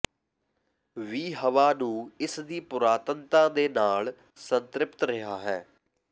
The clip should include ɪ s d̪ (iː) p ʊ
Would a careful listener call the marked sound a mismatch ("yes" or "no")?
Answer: no